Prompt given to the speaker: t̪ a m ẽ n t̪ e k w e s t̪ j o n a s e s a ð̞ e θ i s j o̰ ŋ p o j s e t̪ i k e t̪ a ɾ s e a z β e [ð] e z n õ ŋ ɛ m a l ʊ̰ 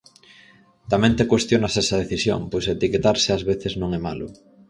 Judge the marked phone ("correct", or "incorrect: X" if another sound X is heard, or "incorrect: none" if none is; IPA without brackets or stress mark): incorrect: θ